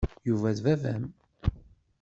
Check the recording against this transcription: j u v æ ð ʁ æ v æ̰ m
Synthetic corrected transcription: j u v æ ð v æ v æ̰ m